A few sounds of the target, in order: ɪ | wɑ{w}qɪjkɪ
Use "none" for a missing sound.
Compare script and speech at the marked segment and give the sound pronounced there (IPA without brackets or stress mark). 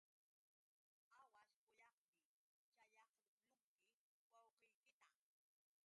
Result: w